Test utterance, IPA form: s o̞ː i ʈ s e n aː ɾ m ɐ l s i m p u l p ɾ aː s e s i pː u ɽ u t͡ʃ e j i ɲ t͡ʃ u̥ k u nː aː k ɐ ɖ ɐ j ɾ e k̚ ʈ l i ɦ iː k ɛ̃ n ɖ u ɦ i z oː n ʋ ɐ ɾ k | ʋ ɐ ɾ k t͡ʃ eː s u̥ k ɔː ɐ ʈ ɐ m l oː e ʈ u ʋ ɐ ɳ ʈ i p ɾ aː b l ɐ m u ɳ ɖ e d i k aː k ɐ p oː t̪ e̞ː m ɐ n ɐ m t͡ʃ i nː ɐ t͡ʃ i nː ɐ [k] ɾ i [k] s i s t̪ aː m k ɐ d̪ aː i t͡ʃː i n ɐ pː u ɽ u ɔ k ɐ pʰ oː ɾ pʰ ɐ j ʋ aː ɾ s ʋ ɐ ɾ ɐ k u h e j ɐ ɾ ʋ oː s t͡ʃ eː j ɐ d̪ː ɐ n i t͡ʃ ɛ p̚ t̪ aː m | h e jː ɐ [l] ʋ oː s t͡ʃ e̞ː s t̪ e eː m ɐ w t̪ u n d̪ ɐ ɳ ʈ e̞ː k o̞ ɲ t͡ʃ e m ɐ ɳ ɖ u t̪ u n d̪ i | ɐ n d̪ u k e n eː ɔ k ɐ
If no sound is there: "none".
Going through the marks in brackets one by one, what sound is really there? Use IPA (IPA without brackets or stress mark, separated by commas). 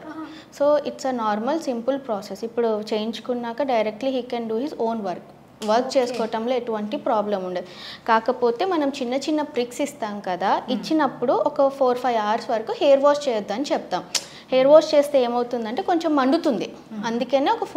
p, k, ɾ